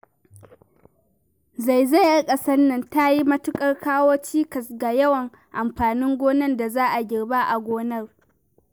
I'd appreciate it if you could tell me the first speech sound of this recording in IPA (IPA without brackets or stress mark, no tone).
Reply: z